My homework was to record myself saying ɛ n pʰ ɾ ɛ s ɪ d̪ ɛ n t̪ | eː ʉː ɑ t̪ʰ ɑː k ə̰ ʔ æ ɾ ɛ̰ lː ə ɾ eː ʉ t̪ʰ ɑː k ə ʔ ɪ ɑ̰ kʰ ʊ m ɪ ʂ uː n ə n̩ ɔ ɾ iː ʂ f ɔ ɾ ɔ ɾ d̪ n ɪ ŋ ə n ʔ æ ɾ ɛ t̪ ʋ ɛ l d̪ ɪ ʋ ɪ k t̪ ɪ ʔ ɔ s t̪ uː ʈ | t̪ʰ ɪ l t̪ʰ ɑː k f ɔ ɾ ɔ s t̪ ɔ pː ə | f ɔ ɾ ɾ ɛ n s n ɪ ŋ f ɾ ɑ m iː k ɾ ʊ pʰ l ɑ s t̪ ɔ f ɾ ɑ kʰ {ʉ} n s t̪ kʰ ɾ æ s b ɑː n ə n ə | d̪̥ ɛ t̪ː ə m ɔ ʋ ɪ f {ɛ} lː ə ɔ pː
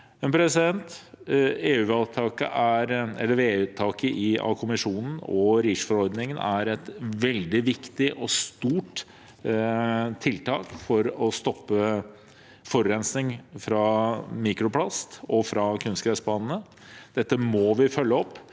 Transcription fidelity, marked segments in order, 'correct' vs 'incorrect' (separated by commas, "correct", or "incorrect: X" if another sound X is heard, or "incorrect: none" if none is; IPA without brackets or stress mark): correct, incorrect: œ